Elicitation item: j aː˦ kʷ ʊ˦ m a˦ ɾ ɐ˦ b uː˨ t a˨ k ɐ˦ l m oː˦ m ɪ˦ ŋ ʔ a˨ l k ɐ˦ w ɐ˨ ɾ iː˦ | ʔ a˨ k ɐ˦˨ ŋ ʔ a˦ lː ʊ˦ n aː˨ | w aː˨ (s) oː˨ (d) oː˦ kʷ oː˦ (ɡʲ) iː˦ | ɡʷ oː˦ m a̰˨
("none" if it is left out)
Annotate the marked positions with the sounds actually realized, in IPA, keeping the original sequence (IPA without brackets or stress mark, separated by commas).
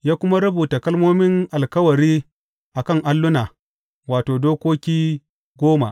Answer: t, d, kʲ